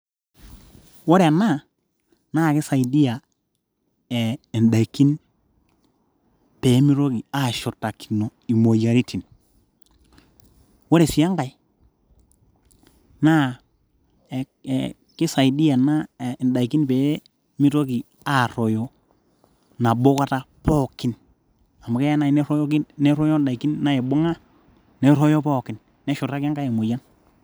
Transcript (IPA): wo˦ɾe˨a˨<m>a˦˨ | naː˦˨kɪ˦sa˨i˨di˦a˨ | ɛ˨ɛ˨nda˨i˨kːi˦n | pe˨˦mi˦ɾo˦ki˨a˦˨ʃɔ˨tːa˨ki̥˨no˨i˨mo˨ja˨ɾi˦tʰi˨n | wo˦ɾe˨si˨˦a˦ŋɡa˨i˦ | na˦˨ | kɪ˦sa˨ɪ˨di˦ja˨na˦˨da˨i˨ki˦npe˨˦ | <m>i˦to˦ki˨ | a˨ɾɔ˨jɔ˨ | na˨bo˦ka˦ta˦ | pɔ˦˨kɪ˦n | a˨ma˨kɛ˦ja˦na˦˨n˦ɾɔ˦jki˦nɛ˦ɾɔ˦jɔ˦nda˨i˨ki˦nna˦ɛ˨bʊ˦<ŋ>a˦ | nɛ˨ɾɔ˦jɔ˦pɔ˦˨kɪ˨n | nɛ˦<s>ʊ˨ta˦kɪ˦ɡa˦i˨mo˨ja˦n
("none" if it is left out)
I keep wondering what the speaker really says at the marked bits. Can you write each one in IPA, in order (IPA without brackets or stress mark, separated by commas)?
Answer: n, m, ŋ, ʃ